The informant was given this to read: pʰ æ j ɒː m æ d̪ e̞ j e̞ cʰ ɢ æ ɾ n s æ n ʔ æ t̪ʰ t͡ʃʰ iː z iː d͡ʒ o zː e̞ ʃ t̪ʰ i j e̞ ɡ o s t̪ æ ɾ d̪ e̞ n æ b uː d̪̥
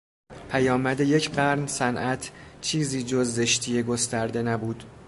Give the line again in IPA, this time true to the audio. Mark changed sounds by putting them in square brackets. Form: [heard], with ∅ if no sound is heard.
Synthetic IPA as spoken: pʰ æ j ɒː m æ d̪ e̞ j e̞ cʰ ɢ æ ɾ n s æ n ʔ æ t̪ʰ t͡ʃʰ iː z iː d͡ʒ o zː e̞ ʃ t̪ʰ i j e̞ ɡ o s t̪ æ ɾ d̪ e̞ n æ b uː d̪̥